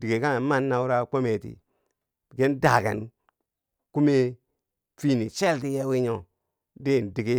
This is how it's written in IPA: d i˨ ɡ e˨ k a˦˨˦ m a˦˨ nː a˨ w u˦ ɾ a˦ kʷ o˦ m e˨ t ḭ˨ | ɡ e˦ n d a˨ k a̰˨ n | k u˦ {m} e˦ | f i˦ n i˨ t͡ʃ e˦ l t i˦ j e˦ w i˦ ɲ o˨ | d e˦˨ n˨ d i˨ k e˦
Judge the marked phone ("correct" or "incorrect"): correct